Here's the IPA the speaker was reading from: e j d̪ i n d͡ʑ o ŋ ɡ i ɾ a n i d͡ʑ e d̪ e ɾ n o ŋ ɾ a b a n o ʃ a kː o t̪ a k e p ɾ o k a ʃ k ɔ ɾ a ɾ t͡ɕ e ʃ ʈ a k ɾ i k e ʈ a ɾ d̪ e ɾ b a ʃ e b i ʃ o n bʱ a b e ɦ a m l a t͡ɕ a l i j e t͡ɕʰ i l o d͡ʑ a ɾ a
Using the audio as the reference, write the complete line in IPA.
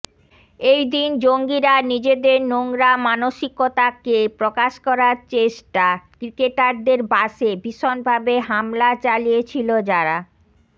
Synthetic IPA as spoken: e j d̪ i n d͡ʑ o ŋ ɡ i ɾ a n i d͡ʑ e d̪ e ɾ n o ŋ ɾ a m a n o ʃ i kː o t̪ a k e p ɾ o k a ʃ k ɔ ɾ a ɾ t͡ɕ e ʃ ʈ a k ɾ i k e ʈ a ɾ d̪ e ɾ b a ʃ e b i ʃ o n bʱ a b e ɦ a m l a t͡ɕ a l i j e t͡ɕʰ i l o d͡ʑ a ɾ a